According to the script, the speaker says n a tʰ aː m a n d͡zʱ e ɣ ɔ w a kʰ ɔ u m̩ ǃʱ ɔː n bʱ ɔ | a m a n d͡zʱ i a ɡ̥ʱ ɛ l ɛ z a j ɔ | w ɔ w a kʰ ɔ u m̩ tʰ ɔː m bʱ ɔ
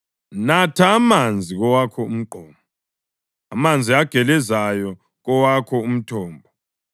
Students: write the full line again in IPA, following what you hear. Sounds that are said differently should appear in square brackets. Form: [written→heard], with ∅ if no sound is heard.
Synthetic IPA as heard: n a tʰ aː m a n d͡zʱ [e→i] ɣ ɔ w a kʰ ɔ u m̩ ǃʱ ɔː [n→m] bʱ ɔ | a m a n d͡zʱ i a ɡ̥ʱ ɛ l ɛ z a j ɔ | [w→ɣ] ɔ w a kʰ ɔ u m̩ tʰ ɔː m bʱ ɔ

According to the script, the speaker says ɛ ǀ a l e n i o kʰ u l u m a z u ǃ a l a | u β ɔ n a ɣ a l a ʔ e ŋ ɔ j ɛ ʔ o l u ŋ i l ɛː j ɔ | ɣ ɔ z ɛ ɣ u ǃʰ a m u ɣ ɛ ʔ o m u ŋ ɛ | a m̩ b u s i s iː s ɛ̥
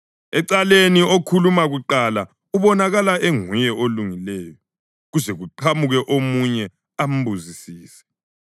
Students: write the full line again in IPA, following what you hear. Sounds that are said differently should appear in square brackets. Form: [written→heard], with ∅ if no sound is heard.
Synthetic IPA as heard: ɛ ǀ a l e n i o kʰ u l u m a [z→ɣ] u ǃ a l a | u β ɔ n a ɣ a l a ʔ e ŋ [ɔ→u] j ɛ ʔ o l u ŋ i l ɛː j ɔ | ɣ [ɔ→u] z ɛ ɣ u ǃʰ a m u ɣ ɛ ʔ o m u [ŋ→ɲ] ɛ | a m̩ b u [s→z] i s iː s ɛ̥

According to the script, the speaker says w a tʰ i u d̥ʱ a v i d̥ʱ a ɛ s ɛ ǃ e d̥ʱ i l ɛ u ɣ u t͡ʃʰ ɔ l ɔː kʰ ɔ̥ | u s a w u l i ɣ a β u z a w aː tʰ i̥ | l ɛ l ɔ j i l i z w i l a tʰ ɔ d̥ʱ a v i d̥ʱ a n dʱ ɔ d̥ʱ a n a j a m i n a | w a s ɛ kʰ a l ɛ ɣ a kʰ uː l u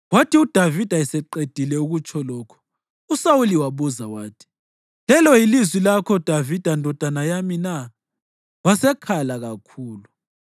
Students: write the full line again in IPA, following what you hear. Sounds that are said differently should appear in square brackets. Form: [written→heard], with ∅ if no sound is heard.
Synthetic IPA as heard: w a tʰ i u d̥ʱ a v i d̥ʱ a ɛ s ɛ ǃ e d̥ʱ i l ɛ u ɣ u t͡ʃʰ ɔ l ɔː kʰ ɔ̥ | u s a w u l i [ɣ→w] a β u z a w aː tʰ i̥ | l ɛ l ɔ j i l i z w i l a [tʰ→kʰ] ɔ d̥ʱ a v i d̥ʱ a n dʱ ɔ d̥ʱ a n a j a m i n a | w a s ɛ kʰ a l [ɛ→a] ɣ a kʰ uː l u

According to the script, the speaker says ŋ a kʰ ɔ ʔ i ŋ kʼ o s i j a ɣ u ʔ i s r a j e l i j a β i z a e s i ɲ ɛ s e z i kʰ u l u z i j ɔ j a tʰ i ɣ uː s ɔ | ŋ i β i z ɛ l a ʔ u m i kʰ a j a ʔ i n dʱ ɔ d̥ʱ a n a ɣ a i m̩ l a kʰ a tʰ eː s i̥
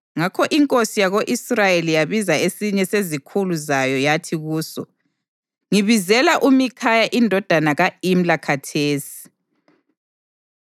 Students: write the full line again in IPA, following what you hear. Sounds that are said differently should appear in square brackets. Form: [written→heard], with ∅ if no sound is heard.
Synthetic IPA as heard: ŋ a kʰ ɔ ʔ i ŋ kʼ o s i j a ɣ [u→o] ʔ i s r a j e l i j a β i z a e s i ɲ ɛ s e z i kʰ u l u z [i→a] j ɔ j a tʰ i ɣ uː s ɔ | ŋ i β i z ɛ l a ʔ u m i kʰ a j a ʔ i n dʱ ɔ d̥ʱ a n a ɣ a i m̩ l a kʰ a tʰ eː s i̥

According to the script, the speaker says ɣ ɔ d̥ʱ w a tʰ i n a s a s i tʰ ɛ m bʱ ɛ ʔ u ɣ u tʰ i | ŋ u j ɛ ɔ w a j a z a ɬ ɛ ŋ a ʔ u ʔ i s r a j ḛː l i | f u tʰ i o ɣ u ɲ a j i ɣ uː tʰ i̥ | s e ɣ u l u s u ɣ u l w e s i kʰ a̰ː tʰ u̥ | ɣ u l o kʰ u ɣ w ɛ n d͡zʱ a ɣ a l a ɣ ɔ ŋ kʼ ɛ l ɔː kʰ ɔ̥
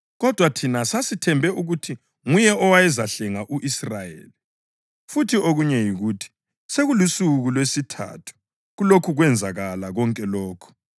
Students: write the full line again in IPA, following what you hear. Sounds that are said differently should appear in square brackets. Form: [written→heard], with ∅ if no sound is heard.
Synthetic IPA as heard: ɣ ɔ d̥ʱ w a tʰ i n a s a s i tʰ ɛ m bʱ ɛ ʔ u ɣ u tʰ i | ŋ u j ɛ ɔ w a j [a→ɛ] z a ɬ ɛ ŋ a ʔ u ʔ i s r a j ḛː l i | f u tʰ i o ɣ u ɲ [a→ɛ] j i ɣ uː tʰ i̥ | s e ɣ u l u s u ɣ u l w e s i [kʰ→tʰ] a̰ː tʰ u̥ | ɣ u l o kʰ u ɣ w ɛ n d͡zʱ a ɣ a l a ɣ ɔ ŋ kʼ ɛ l ɔː kʰ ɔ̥

